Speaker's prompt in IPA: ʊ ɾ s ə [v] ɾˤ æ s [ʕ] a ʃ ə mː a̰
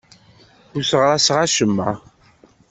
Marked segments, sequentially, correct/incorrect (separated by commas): incorrect, incorrect